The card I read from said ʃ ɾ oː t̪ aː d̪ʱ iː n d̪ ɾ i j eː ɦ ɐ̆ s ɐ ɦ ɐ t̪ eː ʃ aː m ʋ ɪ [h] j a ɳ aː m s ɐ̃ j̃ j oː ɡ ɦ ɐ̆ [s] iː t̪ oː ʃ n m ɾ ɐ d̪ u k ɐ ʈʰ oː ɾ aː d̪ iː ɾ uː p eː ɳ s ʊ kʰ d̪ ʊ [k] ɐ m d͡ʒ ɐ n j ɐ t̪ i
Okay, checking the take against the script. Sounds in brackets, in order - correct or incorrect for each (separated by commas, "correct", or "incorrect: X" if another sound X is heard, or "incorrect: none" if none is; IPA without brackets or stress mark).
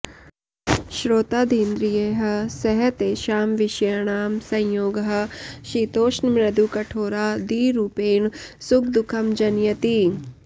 incorrect: ʃ, incorrect: ʃ, incorrect: kʰ